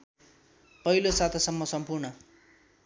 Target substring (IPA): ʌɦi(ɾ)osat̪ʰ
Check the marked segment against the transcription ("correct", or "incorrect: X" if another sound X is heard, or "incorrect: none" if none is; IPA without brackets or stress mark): incorrect: l